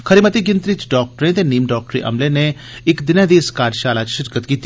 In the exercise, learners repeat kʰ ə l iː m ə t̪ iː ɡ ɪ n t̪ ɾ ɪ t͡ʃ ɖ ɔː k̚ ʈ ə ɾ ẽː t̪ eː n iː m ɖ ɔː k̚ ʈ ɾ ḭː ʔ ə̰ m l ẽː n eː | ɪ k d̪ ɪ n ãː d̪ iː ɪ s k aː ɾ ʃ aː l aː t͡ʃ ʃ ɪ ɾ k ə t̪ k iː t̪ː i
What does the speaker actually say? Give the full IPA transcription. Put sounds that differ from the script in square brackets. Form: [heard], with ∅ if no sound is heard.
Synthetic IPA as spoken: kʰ ə [ɾ] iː m ə t̪ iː ɡ ɪ n t̪ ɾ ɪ t͡ʃ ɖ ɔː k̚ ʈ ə ɾ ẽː t̪ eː n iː m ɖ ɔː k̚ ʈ ɾ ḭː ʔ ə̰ m l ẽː n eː | ɪ k d̪ ɪ n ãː d̪ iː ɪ s k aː ɾ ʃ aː l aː t͡ʃ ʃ ɪ ɾ k ə t̪ k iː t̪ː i